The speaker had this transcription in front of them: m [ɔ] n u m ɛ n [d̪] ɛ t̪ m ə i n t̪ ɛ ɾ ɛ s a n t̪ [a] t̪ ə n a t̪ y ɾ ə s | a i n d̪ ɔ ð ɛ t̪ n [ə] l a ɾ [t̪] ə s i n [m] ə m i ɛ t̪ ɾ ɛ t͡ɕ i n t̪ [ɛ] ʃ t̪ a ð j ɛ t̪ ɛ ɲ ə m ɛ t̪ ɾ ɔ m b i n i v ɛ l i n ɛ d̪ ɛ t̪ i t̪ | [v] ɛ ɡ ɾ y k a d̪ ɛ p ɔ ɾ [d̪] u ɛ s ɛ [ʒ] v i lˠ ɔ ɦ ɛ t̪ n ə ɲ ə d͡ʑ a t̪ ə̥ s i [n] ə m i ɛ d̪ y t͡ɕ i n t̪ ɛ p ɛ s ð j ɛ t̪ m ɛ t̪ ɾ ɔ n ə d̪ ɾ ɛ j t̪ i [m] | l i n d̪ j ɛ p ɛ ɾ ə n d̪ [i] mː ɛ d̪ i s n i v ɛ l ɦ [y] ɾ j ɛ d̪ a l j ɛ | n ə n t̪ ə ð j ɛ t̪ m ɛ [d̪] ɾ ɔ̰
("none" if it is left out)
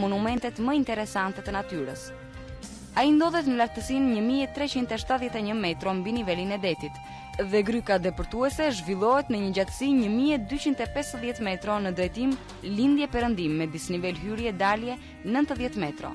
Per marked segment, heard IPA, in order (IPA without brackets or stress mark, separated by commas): ɔ, t̪, ɛ, ə, t̪, ɲ, ɛ, ð, t̪, ʒ, ɲ, m, i, y, t̪